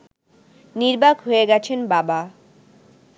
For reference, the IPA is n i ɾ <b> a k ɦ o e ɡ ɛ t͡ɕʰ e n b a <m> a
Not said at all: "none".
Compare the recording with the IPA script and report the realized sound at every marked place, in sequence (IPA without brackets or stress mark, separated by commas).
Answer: b, b